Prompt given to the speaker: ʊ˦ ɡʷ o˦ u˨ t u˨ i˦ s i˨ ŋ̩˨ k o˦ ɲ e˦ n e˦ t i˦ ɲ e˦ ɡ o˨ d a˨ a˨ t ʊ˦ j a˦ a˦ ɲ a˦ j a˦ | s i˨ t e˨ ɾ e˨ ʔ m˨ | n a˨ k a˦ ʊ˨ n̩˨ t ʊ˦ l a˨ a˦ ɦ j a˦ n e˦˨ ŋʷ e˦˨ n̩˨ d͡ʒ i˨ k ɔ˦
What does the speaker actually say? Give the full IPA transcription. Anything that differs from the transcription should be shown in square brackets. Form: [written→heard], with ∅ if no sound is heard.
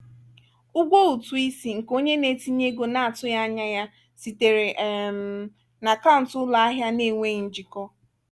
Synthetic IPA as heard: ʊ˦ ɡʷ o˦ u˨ t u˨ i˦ s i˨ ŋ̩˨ k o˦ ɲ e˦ n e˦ t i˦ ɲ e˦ ɡ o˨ [d→n] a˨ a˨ t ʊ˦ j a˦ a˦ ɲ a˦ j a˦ | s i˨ t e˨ ɾ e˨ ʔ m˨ | n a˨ k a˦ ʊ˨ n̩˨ t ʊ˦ l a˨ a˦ ɦ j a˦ n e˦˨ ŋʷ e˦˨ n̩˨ d͡ʒ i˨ k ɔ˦